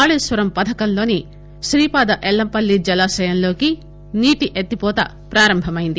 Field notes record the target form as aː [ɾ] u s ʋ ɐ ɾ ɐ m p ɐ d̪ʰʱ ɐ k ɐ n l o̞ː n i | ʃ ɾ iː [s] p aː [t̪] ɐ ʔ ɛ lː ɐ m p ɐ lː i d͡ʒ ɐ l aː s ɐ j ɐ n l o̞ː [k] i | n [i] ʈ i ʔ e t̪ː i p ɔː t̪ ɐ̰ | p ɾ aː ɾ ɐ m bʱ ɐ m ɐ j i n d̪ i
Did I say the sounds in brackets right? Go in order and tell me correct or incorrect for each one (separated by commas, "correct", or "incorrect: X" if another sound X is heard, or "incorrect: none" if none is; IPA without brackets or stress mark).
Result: incorrect: ɭ, incorrect: none, incorrect: d̪, correct, incorrect: iː